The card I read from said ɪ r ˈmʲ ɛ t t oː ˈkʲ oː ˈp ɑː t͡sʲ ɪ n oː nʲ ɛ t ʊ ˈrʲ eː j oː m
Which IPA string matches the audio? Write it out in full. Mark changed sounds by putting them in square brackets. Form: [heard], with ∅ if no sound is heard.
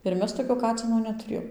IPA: ɪ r ˈmʲ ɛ [s] t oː ˈkʲ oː [ˈk] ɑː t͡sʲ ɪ n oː nʲ ɛ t ʊ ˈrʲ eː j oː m

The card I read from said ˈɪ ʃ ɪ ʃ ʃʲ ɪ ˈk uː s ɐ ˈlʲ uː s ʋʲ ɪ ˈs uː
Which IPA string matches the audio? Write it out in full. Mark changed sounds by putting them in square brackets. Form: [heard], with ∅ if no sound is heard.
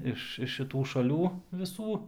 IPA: ˈɪ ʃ ɪ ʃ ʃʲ ɪ [ˈt] uː [ʃ] ɐ ˈlʲ uː [∅] ʋʲ ɪ ˈs uː

